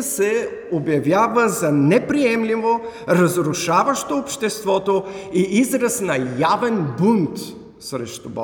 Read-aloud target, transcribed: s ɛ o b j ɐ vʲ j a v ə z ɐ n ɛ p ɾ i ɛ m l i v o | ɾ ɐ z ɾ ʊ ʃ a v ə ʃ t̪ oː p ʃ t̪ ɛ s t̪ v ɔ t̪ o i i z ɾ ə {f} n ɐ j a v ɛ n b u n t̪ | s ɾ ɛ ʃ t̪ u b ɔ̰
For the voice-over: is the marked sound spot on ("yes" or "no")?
no